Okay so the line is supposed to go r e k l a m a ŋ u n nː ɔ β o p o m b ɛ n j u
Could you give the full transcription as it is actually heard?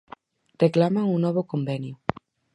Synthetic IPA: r e k l a m a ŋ u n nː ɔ β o k o m b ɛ n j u